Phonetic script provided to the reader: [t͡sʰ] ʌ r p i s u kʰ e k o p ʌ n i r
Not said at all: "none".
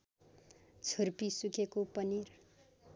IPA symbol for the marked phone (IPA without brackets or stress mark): t͡sʰ